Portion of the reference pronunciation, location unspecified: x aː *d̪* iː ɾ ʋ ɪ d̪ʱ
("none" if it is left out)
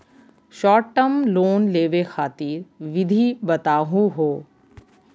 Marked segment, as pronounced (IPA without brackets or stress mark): t̪